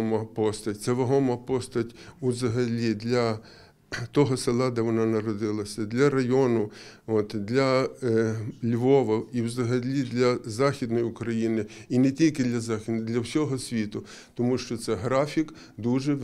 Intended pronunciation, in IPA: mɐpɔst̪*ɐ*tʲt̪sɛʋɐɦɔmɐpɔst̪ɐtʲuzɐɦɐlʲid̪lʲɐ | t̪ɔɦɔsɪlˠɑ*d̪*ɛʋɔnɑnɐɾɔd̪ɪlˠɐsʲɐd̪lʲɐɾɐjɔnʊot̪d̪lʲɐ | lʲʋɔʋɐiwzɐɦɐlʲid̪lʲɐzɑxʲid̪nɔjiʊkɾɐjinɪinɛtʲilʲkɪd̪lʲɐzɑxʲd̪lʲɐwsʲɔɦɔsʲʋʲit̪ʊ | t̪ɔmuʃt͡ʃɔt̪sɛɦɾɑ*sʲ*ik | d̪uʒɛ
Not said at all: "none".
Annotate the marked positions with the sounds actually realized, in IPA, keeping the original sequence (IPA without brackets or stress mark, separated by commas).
ɐ, d̪, fʲ